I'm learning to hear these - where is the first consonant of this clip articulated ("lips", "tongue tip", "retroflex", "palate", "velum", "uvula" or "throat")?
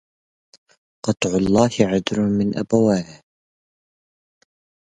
uvula